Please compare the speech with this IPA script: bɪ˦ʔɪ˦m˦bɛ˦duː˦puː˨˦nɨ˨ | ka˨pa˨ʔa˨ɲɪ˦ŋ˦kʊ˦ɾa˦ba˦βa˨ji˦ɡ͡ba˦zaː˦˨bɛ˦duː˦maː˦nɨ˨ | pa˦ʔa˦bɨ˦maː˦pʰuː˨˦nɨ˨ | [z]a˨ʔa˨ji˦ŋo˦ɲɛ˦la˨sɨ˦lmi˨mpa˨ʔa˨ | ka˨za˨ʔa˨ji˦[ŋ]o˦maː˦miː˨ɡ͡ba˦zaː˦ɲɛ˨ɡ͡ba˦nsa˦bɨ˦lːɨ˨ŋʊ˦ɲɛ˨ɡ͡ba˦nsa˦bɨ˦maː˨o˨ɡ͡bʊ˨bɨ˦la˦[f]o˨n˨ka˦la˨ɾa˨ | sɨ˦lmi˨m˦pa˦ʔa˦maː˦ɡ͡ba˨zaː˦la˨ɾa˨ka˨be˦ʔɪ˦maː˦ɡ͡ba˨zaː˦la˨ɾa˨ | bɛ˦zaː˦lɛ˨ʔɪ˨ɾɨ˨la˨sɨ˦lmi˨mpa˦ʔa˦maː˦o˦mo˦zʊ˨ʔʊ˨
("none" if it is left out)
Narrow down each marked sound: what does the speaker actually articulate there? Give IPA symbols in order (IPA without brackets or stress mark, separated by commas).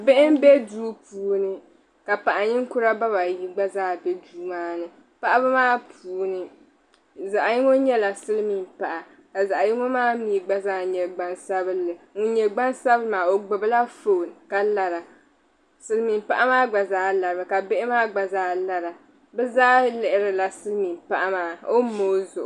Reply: z, ŋ, f